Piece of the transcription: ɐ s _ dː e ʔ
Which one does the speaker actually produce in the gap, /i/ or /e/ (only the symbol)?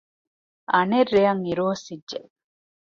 i